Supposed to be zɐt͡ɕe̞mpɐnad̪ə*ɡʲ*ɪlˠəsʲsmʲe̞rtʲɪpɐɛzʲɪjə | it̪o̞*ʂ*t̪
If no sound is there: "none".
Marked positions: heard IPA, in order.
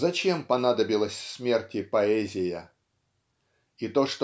bʲ, ʂ

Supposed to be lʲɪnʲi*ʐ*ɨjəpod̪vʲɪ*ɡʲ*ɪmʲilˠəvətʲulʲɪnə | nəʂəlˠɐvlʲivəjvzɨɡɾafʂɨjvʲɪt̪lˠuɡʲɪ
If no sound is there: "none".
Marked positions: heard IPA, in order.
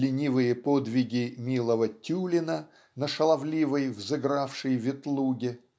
v, ɡʲ

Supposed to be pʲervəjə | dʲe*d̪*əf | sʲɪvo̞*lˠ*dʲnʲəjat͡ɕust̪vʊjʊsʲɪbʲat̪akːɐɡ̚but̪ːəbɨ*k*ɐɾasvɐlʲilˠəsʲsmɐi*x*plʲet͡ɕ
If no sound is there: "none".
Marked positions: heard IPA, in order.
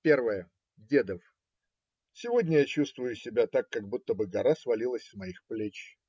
d̪, none, ɡ, x

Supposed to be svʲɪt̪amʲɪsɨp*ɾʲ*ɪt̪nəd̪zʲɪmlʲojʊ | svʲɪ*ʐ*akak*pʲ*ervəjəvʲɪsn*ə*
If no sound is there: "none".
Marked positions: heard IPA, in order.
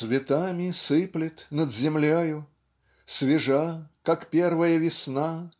lʲ, ʐ, pʲ, a

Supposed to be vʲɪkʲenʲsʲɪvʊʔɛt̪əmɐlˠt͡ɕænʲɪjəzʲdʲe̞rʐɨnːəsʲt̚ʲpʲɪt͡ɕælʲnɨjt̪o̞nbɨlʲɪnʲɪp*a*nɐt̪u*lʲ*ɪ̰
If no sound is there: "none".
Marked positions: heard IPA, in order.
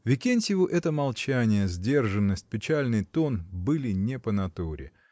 ə, ɾʲ

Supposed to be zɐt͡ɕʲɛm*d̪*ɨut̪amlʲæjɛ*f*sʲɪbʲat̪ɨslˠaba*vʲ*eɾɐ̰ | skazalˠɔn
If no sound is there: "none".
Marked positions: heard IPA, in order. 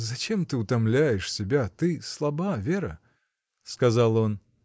t̪, ʂ, vʲ

